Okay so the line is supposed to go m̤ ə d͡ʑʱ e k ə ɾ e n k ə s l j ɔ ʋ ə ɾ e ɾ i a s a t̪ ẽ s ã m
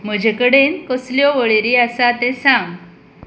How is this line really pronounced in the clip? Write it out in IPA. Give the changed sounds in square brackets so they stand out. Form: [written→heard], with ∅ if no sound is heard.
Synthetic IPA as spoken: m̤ ə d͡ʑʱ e k ə [ɾ→ɽ] e n k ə s l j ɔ ʋ ə [ɾ→ɭ] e ɾ i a s a t̪ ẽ s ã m

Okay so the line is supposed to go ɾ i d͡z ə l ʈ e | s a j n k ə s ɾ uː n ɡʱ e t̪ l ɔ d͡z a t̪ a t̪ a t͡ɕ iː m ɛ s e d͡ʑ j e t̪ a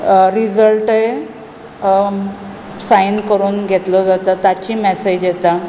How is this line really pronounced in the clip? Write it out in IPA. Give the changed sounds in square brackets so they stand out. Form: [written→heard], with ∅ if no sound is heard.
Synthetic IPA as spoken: ɾ i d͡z ə l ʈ e | s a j n k ə [s→∅] ɾ uː n ɡʱ e t̪ l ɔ d͡z a t̪ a t̪ a t͡ɕ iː m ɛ s e d͡ʑ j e t̪ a

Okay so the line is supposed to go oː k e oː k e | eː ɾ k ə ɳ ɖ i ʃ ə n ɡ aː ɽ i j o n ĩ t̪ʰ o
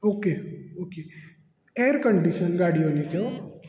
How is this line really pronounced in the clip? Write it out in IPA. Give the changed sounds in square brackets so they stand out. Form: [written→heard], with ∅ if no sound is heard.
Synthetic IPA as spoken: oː k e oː k e | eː ɾ k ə ɳ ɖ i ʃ ə n ɡ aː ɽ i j o n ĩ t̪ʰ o

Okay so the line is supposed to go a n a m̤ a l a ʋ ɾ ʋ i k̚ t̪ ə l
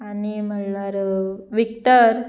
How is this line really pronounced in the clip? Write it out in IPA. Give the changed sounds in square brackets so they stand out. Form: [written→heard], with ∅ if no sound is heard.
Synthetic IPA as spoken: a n [a→i] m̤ [a→ə] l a [ʋ→∅] ɾ ʋ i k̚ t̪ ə [l→ɾ]

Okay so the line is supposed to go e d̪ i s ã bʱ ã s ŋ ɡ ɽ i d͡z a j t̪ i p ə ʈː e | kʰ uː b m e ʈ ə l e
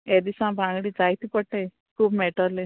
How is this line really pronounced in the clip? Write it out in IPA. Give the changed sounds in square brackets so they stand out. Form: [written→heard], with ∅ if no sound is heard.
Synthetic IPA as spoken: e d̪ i s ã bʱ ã [s→∅] ŋ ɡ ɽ i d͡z a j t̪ i p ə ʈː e | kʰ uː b m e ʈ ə l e

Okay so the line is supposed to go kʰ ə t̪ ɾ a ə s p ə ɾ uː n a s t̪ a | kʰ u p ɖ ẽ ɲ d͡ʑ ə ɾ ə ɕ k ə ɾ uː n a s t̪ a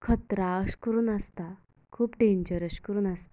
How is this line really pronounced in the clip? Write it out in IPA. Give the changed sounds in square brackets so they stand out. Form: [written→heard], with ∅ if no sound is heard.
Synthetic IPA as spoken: kʰ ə t̪ ɾ a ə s [p→k] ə ɾ uː n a s t̪ a | kʰ [u→uː] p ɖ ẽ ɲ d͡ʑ ə ɾ ə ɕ k ə ɾ uː n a s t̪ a

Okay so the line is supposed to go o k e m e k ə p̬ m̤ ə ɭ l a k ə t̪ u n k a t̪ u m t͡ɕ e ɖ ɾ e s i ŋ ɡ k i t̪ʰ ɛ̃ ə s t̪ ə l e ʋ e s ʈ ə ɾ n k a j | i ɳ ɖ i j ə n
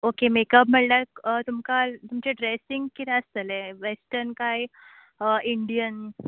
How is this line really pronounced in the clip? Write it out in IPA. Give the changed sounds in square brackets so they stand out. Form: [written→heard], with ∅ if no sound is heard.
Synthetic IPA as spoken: o k e m e k ə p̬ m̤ ə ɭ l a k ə t̪ u [n→m] k a t̪ u m t͡ɕ e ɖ ɾ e s i ŋ ɡ k i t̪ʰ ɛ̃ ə s t̪ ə l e ʋ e s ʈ ə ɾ n k a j | i ɳ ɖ i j ə n

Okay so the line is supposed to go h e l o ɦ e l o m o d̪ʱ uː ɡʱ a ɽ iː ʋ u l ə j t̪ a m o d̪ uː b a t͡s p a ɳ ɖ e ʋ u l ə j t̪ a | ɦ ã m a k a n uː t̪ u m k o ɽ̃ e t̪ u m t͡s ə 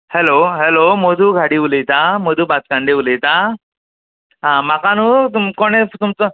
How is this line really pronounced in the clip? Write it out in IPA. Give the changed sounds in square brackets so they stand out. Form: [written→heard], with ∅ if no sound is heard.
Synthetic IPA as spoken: h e l o ɦ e l o m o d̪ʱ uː ɡʱ a ɽ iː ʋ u l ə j t̪ a m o d̪ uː b a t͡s [p→k] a ɳ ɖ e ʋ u l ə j t̪ a | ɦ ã m a k a n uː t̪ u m k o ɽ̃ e t̪ u m t͡s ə

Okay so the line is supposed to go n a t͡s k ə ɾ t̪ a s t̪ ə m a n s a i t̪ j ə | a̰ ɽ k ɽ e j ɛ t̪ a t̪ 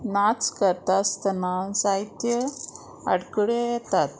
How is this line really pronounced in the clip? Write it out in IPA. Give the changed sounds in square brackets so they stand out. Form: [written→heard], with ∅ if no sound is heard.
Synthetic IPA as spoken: n a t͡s k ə ɾ t̪ a s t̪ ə [m→n] a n s a i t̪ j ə | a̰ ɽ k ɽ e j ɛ t̪ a t̪

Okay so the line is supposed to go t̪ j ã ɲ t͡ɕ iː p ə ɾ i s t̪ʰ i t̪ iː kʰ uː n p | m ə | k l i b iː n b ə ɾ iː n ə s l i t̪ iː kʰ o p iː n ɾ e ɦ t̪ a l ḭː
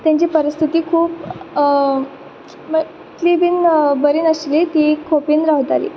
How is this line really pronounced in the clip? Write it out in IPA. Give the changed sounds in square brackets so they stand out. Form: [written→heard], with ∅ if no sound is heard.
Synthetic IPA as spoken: t̪ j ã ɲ t͡ɕ iː p ə ɾ i s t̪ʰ i t̪ iː kʰ uː [n→∅] p | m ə | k l i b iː n b ə ɾ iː n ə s l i t̪ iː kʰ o p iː n ɾ [e→a] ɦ t̪ a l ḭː

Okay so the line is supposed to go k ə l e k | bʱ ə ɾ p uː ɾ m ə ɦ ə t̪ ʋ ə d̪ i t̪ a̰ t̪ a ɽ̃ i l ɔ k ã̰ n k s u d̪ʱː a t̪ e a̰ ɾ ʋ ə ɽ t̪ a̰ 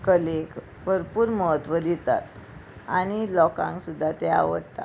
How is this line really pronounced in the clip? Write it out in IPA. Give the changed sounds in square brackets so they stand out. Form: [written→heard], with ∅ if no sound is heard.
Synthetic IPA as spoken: k ə l e k | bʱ ə ɾ p uː ɾ m ə ɦ ə t̪ ʋ ə d̪ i t̪ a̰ t̪ a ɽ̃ i l ɔ k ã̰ [n→ŋ] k s u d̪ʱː a t̪ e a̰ [ɾ→∅] ʋ ə ɽ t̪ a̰

